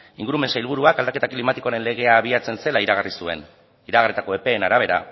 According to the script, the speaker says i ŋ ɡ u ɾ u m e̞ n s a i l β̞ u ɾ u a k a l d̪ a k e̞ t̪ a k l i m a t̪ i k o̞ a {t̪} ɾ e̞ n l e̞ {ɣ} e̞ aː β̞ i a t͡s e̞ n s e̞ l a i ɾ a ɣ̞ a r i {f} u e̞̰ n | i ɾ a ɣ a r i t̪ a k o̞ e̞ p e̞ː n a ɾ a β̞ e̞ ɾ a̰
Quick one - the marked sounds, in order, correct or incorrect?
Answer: incorrect, correct, incorrect

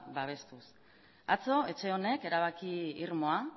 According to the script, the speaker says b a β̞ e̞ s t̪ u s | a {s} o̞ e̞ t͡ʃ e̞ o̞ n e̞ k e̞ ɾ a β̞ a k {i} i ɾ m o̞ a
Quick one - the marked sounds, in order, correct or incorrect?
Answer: incorrect, correct

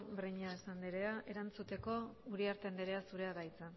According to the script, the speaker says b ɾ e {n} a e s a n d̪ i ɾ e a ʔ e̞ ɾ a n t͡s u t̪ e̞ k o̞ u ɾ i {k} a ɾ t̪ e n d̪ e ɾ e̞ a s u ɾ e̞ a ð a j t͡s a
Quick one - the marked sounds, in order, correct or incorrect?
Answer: incorrect, incorrect

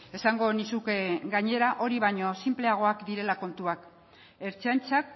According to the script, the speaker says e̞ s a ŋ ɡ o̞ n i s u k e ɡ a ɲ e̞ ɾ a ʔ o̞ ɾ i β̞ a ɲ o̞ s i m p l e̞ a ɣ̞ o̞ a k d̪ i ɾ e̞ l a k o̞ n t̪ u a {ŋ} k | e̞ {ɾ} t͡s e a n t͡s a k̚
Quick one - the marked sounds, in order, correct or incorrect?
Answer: incorrect, correct

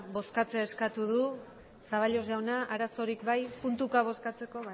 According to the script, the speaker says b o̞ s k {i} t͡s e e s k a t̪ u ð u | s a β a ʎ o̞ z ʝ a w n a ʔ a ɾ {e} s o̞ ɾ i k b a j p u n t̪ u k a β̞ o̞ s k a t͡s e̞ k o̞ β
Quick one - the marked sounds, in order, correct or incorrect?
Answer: incorrect, incorrect

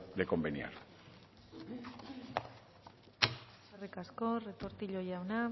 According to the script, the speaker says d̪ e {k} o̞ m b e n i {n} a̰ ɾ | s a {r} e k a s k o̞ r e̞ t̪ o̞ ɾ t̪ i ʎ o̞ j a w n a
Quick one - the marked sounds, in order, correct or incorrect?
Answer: correct, incorrect, correct

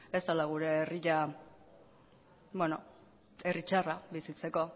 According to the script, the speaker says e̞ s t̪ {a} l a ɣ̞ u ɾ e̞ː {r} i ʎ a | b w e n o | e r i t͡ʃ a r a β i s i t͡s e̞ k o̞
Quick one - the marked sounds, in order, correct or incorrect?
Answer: correct, correct

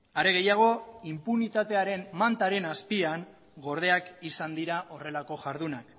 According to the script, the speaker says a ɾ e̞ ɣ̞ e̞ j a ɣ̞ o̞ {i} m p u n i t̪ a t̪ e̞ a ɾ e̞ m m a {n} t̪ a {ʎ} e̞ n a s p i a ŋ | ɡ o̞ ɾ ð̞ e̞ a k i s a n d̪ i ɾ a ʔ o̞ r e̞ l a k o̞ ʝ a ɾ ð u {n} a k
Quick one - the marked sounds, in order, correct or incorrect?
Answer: correct, correct, incorrect, correct

